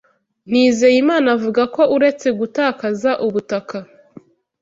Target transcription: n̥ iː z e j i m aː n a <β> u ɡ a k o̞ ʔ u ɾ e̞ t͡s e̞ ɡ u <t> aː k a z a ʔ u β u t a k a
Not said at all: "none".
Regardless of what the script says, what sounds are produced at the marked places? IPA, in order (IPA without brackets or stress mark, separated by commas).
v, t